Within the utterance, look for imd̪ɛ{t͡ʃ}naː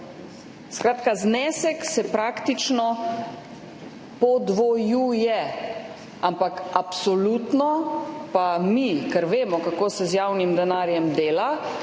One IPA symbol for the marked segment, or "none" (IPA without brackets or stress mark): none